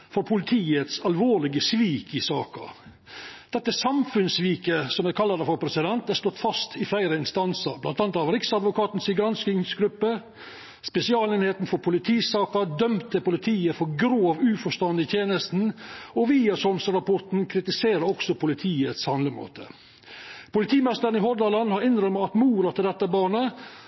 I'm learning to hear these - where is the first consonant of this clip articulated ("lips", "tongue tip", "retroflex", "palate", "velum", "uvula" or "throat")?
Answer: lips